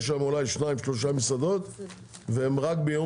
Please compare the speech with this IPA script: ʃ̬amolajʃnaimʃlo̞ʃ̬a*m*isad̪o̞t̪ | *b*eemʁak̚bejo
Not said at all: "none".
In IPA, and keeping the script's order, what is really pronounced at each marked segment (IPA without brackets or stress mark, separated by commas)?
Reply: m, v